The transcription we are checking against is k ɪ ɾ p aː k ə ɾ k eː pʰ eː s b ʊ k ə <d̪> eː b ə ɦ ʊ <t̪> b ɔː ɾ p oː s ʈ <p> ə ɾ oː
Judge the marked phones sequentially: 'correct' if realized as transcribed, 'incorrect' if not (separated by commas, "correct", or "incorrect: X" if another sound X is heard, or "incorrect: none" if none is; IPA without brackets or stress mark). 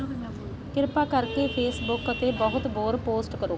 incorrect: t̪, correct, incorrect: k